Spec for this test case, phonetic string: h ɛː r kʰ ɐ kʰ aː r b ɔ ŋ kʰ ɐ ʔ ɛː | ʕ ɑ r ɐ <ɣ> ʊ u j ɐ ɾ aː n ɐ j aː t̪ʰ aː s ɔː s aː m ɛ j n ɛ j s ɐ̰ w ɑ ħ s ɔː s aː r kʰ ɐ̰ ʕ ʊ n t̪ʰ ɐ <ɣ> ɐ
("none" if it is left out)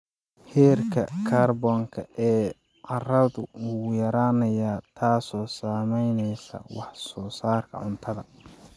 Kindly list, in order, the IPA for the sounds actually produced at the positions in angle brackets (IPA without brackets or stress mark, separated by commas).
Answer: ð, ð